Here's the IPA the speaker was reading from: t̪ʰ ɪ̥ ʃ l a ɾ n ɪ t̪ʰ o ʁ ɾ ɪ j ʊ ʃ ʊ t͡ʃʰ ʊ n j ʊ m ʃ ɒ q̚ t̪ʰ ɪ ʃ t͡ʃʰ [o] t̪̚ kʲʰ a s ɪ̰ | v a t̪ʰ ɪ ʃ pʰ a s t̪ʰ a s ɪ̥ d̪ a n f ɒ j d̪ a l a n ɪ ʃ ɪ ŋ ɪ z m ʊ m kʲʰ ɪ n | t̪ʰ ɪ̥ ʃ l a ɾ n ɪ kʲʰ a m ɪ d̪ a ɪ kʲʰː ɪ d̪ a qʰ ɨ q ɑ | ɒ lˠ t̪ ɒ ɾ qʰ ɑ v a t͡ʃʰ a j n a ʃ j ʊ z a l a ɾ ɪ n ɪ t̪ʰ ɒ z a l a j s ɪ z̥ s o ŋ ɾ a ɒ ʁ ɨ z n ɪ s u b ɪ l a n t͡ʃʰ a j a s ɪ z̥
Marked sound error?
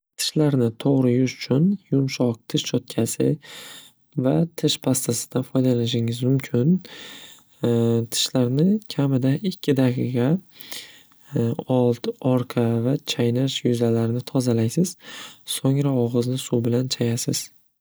yes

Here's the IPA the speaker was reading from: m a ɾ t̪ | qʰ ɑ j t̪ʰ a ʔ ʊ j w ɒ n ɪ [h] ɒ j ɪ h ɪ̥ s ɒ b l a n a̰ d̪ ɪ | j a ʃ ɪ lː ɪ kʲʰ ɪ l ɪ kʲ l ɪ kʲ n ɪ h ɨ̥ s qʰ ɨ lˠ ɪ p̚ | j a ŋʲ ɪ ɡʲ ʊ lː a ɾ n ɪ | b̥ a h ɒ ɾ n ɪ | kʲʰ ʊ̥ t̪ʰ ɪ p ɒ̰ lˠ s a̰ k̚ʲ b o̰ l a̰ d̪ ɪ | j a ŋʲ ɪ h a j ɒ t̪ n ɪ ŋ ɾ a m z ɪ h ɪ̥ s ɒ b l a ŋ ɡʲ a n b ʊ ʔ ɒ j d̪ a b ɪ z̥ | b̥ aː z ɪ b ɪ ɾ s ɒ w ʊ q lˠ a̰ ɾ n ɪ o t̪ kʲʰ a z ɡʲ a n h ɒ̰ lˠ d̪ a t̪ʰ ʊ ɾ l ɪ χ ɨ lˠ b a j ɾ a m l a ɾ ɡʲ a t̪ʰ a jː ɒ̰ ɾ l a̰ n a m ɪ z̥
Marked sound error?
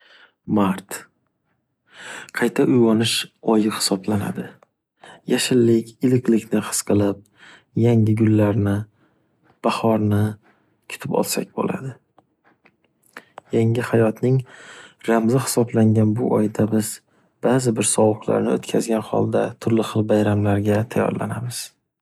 yes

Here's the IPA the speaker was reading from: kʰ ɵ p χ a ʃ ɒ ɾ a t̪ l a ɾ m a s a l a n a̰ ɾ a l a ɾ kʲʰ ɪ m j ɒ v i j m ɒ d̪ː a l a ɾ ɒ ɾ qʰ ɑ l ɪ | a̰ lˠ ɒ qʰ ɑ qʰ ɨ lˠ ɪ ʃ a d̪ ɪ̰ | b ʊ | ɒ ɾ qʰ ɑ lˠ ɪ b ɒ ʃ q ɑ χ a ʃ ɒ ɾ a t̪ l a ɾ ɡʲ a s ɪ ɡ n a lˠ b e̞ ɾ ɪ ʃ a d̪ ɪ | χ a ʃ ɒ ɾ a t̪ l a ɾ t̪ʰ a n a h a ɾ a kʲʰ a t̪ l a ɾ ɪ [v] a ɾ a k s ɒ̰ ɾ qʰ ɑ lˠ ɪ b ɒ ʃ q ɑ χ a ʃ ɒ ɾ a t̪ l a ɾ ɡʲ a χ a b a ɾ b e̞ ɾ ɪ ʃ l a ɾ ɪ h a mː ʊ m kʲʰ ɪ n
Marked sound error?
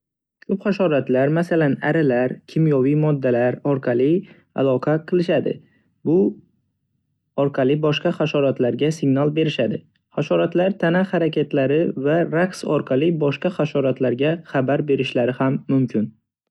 no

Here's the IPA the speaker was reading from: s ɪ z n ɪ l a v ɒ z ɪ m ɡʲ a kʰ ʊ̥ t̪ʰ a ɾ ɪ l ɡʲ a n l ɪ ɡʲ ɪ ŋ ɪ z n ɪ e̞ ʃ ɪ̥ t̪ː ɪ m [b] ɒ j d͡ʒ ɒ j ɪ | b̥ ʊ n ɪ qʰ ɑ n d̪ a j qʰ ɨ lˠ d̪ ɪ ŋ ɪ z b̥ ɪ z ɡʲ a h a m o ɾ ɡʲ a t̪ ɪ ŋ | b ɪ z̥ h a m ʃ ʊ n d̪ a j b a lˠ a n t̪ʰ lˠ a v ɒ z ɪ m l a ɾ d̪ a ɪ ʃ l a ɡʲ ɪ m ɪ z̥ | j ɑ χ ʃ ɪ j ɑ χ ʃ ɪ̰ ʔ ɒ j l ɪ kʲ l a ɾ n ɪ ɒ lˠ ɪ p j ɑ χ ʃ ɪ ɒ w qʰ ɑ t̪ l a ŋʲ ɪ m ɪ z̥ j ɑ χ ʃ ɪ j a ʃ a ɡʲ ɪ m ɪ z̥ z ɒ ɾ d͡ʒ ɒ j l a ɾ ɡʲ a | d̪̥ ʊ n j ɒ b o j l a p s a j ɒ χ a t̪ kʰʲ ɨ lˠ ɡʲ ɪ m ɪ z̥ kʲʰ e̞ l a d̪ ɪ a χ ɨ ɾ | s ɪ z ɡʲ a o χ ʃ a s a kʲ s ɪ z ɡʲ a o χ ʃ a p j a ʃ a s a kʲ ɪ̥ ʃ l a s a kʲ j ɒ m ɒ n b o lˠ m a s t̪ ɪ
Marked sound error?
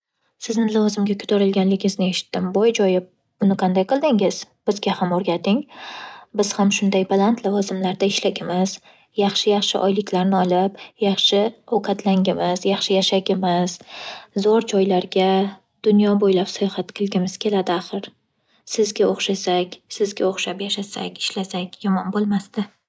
no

